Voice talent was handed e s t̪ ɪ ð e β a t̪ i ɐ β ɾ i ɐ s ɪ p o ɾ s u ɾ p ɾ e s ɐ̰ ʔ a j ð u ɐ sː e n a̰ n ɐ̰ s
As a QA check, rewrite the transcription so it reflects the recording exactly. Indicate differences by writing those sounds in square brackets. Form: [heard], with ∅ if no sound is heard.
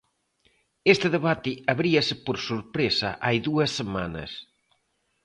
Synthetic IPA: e s t̪ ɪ ð e β a t̪ [ɪ] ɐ β ɾ i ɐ s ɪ p o ɾ s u ɾ p ɾ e s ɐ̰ ʔ a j ð u ɐ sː e [m] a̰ n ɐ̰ s